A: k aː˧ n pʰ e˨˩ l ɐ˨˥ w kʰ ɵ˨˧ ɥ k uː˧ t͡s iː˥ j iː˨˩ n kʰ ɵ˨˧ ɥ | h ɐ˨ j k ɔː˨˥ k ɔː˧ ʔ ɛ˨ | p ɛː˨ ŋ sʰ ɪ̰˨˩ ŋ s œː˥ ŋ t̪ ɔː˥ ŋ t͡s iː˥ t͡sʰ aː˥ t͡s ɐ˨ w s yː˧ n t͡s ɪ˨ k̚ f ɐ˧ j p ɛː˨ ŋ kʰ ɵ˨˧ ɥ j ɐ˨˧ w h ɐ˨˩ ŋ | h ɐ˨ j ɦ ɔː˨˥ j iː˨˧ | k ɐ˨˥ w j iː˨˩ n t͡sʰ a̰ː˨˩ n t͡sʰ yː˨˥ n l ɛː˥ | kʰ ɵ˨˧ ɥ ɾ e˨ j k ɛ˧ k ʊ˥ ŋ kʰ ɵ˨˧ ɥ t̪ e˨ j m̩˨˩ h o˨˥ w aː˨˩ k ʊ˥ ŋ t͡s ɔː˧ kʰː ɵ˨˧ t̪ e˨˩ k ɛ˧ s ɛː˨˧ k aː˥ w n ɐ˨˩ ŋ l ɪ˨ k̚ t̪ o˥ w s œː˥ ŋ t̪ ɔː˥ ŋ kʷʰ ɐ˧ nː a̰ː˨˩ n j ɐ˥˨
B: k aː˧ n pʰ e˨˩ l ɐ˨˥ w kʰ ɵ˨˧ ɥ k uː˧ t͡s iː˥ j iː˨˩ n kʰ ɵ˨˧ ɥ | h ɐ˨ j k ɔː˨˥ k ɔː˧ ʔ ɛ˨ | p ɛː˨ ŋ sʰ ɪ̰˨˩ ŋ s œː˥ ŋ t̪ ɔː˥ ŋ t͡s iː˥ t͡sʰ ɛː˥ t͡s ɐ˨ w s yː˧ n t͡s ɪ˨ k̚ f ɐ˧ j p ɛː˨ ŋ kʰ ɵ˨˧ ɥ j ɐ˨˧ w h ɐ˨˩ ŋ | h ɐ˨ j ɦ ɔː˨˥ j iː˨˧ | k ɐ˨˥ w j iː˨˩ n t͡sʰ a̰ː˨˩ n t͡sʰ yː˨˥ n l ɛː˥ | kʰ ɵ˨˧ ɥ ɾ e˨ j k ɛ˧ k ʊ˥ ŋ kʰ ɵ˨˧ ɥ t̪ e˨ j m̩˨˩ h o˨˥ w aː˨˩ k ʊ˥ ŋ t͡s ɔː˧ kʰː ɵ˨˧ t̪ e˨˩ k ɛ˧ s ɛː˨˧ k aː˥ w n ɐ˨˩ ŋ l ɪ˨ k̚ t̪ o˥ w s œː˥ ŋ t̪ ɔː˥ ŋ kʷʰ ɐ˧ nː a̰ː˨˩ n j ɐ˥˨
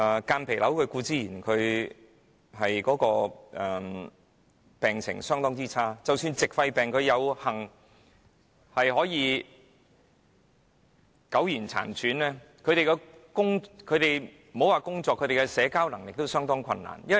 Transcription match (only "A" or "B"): A